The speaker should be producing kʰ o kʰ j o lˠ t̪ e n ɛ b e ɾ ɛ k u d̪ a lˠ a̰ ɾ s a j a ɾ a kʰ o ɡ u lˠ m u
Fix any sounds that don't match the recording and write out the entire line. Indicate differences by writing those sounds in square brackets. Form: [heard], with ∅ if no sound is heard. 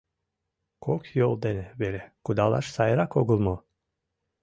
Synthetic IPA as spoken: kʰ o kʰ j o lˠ [d̪] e n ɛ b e ɾ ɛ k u d̪ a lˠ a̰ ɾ s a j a ɾ a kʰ o ɡ u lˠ m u